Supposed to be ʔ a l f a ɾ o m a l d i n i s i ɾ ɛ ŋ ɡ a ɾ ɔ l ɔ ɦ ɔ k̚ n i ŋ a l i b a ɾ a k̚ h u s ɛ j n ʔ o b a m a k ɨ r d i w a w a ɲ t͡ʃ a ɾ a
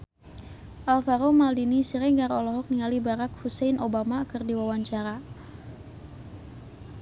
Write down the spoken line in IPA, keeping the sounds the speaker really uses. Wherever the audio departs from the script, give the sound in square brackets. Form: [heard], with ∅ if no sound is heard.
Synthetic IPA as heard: ʔ a l f a ɾ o m a l d i n i s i ɾ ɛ ŋ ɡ a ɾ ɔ l ɔ ɦ ɔ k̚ n i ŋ a l i b a ɾ a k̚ h u s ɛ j n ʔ o b a m a k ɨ r d i w a w a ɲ t͡ʃ a ɾ a